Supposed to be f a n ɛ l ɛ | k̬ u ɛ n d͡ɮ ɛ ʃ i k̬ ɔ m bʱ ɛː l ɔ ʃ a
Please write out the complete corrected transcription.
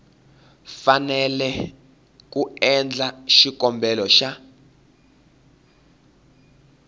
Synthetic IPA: f a n ɛ l ɛ | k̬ u ɛ n d͡ɮ a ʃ i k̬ ɔ m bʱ ɛ l ɔ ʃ a